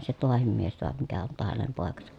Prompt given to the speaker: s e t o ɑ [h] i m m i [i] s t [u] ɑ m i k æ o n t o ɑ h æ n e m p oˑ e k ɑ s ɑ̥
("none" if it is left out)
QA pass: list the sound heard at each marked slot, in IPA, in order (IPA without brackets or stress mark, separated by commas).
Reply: h, e, o